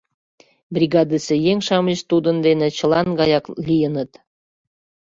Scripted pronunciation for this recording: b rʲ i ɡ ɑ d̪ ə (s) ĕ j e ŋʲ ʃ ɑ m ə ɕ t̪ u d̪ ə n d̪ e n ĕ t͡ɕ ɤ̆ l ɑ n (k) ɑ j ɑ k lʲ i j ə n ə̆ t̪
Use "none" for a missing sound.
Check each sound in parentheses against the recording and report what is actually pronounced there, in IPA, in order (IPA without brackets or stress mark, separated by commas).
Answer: s, ɡ